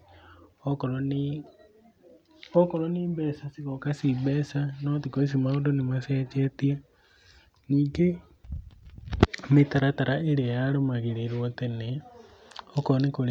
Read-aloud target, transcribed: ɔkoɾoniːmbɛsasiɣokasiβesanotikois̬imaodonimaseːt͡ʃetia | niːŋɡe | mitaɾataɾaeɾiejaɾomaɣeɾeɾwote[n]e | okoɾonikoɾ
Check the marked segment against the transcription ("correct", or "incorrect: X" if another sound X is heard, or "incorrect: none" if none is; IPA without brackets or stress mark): correct